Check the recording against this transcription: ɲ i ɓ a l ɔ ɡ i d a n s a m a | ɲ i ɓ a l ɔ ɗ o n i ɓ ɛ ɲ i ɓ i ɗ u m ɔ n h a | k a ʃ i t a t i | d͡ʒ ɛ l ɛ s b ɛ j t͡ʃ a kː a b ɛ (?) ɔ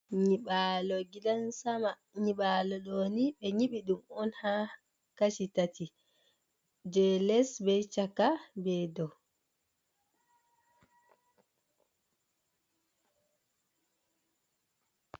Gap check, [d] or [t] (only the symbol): d